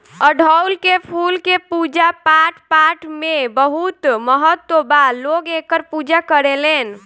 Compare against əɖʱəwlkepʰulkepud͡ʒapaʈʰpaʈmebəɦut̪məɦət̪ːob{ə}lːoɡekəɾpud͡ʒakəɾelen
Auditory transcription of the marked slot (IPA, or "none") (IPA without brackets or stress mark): a